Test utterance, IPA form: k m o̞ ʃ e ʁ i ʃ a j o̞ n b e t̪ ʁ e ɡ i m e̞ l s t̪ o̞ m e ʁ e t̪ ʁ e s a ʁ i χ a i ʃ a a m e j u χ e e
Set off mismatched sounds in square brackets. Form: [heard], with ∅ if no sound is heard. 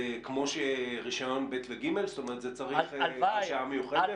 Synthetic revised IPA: k m o̞ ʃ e ʁ i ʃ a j o̞ n b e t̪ [v] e ɡ i m e̞ l s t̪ o̞ m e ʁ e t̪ [z] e [t͡s] a ʁ i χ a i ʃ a a m e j u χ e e